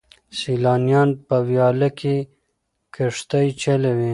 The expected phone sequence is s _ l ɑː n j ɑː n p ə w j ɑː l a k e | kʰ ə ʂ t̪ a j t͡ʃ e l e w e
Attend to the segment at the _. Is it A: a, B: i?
B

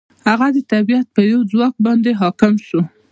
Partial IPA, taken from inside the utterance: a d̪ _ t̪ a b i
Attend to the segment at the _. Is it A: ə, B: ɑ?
A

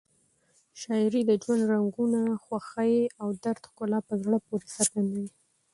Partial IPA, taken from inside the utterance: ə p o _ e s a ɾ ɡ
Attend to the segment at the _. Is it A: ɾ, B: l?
A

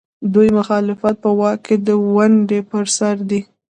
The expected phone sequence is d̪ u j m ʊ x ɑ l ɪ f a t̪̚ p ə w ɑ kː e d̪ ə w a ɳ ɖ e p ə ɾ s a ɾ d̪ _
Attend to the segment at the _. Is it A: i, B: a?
A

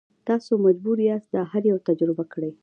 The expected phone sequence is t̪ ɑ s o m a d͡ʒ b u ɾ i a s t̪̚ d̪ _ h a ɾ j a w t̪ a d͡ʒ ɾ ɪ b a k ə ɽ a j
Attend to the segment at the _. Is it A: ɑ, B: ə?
A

